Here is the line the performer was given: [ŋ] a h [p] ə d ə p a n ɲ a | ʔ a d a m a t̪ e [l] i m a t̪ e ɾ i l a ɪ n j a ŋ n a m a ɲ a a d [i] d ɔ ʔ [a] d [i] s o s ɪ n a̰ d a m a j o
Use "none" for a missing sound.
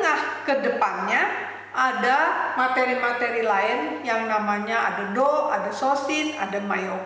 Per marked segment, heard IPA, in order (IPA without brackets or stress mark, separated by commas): ŋ, k, ɾ, a, a, a